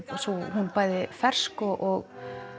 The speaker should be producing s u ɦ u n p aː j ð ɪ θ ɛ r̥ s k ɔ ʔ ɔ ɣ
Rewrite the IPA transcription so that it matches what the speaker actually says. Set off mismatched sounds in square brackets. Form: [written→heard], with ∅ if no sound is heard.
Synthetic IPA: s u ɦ u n p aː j ð ɪ [θ→f] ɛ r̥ s k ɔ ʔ ɔ ɣ